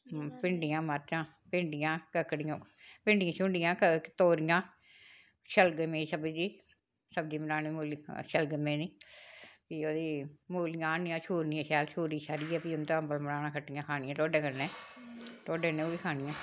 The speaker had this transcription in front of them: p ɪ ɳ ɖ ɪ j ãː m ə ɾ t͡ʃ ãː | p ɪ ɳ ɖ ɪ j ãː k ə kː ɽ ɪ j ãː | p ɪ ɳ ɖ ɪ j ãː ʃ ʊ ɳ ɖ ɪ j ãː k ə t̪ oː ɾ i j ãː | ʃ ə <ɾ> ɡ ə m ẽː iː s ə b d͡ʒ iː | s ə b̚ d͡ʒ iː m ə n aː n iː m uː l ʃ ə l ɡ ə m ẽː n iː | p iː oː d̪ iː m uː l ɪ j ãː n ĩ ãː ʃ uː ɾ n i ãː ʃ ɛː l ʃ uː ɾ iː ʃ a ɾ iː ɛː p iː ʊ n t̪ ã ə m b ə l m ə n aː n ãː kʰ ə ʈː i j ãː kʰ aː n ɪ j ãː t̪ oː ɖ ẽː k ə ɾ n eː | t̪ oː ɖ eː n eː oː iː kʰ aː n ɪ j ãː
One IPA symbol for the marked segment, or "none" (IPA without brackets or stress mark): l